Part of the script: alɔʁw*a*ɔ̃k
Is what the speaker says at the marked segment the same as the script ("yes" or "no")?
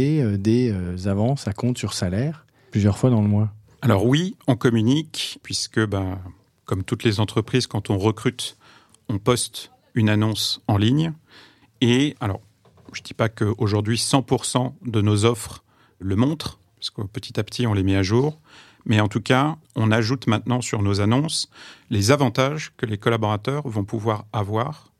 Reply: no